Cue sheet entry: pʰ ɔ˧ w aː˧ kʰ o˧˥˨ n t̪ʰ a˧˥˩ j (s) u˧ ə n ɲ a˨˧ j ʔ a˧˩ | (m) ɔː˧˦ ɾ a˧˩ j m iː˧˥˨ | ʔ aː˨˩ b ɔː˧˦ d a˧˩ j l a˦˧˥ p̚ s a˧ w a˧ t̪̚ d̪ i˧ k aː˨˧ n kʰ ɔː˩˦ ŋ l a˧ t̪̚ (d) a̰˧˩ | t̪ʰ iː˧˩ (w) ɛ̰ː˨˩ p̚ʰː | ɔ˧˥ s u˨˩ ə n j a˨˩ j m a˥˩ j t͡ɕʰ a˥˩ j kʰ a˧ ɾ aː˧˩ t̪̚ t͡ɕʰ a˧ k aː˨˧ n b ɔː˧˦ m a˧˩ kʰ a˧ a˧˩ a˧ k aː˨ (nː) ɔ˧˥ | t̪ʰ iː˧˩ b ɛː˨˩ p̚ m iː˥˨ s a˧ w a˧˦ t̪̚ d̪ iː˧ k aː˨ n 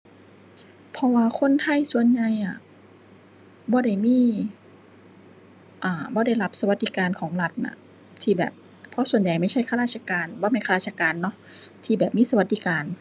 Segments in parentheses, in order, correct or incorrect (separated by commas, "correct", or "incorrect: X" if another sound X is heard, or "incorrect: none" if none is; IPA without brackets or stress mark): correct, incorrect: b, incorrect: n, incorrect: b, correct